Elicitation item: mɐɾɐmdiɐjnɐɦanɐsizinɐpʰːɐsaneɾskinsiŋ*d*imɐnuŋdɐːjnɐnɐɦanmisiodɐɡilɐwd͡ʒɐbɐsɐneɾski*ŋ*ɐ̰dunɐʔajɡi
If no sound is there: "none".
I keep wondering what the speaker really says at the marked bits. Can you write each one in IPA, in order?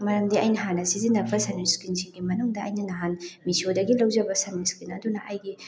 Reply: ɡ, n

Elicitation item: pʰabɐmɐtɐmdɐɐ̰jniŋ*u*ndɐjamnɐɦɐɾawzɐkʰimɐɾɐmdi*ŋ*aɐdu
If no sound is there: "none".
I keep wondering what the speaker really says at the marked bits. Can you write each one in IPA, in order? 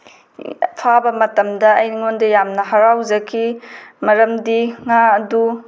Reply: o, ŋ

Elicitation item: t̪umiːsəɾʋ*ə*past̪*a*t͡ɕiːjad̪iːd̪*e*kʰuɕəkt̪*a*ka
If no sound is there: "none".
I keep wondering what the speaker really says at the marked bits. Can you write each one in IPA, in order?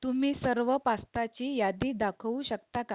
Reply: ə, a, a, a

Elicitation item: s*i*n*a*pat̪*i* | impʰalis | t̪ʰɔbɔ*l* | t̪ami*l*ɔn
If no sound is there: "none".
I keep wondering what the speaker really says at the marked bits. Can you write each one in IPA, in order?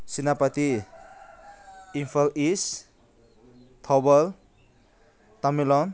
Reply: i, a, i, l, l

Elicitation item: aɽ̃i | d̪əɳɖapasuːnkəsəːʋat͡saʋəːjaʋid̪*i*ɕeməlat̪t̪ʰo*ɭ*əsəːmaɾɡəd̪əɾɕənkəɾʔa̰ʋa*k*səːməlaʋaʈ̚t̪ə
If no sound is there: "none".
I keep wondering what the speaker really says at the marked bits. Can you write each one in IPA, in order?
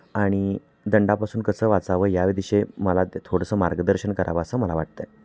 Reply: i, ɽ, none

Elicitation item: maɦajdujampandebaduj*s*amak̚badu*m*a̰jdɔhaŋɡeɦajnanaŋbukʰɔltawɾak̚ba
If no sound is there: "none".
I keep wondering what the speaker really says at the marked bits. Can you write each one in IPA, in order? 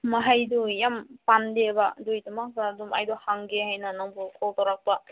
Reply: t, m

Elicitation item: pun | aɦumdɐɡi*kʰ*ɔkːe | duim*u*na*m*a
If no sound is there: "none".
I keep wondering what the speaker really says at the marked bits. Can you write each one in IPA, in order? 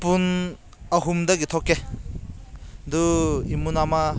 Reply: tʰ, u, m

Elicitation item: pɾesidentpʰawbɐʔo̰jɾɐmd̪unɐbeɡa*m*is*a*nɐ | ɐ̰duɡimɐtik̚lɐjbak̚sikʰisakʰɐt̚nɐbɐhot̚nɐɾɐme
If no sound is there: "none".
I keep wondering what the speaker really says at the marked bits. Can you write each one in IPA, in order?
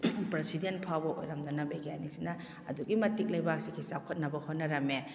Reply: n, i

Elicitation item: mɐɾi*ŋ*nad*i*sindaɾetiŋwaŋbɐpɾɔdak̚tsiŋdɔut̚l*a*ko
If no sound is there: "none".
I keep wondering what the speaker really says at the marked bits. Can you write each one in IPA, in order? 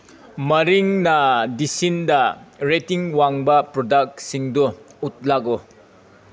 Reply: ŋ, i, a

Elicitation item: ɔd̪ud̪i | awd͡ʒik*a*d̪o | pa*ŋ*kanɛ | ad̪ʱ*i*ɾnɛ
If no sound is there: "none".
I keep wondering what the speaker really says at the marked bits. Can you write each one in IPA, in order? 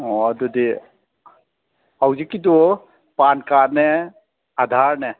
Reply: i, n, a

